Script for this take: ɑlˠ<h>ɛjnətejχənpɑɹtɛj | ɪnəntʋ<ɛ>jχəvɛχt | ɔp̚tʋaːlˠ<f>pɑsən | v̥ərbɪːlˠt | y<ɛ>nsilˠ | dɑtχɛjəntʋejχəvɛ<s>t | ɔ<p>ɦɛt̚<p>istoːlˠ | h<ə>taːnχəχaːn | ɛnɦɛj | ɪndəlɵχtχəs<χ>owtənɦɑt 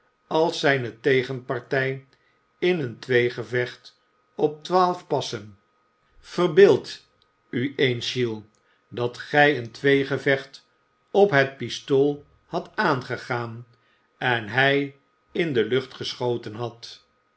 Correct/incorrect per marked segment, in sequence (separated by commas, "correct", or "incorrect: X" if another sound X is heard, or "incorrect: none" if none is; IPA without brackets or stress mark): incorrect: s, incorrect: e, correct, incorrect: e, incorrect: χ, correct, correct, incorrect: ɑ, correct